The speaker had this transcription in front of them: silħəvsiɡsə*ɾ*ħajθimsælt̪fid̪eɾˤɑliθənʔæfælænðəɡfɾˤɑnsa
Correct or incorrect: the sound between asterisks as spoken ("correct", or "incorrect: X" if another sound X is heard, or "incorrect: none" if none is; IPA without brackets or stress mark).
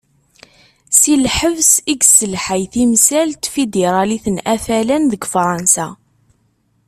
incorrect: l